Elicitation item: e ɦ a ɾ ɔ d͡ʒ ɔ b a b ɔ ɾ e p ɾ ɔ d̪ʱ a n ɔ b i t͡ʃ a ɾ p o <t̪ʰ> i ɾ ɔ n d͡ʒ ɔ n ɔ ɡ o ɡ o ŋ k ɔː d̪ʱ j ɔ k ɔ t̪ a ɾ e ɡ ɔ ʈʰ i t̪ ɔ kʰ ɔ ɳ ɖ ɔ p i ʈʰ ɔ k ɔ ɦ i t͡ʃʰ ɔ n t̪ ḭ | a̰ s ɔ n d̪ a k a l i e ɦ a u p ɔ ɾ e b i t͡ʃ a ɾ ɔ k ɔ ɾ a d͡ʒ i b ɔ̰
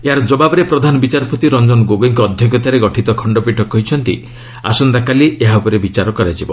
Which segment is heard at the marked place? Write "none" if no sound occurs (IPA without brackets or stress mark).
t̪